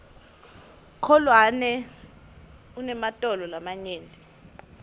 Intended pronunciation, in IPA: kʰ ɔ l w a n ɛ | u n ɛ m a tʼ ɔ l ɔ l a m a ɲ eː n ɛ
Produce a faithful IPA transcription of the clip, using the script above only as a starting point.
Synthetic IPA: kʰ ɔ l w a n ɛ | u n ɛ m a tʼ ɔ l ɔ l a m a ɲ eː n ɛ

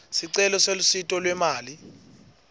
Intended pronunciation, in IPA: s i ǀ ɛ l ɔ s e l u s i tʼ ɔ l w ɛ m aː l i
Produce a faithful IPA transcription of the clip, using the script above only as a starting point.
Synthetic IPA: s i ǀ ɛ l ɔ s e l u s i tʼ ɔ l w ɛ m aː l i

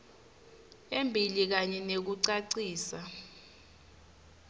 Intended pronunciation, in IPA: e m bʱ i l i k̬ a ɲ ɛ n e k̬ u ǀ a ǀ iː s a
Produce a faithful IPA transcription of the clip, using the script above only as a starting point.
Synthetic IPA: e m bʱ i l i k̬ a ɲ ɛ n e k̬ u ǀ a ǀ iː s a

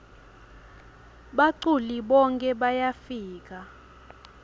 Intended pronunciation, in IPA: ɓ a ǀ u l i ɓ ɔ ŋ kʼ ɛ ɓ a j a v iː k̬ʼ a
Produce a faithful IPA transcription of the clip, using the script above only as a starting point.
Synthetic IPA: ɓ a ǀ u l i ɓ ɔ ŋ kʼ ɛ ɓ a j a f iː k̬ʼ a

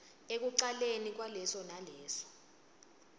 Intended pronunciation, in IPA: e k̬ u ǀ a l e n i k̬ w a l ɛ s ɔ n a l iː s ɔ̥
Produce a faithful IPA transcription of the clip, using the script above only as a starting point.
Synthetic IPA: e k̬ u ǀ a l e n i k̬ w a l ɛ s ɔ n a l ɛː s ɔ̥

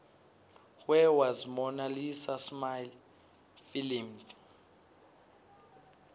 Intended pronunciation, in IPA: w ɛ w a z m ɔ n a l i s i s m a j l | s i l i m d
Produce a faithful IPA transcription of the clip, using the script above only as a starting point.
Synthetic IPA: w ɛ w a z m ɔ n a l i s a s m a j l | f i l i m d

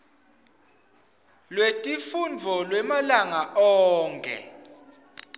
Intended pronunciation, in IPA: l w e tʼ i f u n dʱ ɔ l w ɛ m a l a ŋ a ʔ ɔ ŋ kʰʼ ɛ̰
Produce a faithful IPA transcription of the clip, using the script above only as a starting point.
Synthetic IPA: l w e tʼ i f u n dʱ ɔ l w ɛ m a l a ŋ a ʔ ɔː ŋ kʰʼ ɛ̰

